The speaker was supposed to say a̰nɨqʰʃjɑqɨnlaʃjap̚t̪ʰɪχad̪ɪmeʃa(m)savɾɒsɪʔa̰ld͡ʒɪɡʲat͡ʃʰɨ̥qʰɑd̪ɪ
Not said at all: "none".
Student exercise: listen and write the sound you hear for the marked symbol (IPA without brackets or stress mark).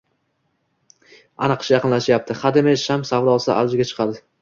m